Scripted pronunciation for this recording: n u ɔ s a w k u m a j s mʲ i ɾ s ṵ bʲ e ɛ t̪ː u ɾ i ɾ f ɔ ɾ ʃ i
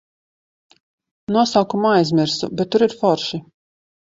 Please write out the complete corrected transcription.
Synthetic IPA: n u ɔ s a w k u m a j z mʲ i ɾ s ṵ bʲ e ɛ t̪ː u ɾ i ɾ f ɔ ɾ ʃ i